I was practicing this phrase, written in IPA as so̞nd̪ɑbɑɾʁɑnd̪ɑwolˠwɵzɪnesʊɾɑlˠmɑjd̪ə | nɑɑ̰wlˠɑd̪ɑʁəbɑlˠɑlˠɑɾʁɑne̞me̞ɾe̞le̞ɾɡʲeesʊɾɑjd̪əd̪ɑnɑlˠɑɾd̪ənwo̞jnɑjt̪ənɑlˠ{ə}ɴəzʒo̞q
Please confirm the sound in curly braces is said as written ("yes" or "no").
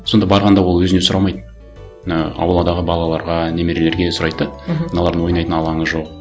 no